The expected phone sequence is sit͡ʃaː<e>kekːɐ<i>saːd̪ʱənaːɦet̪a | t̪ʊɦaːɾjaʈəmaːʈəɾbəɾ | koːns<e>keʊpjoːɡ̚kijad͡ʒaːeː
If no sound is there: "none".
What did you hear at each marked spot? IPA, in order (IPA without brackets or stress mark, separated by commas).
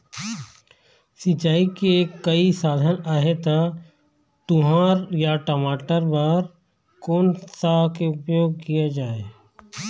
i, i, a